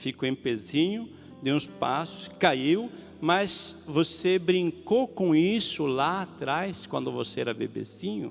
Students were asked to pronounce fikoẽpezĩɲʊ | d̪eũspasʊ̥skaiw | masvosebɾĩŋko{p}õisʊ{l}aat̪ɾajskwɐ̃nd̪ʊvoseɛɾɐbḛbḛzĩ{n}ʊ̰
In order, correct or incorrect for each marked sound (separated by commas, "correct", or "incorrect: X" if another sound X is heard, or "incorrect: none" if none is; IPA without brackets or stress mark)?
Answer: incorrect: k, correct, incorrect: ɲ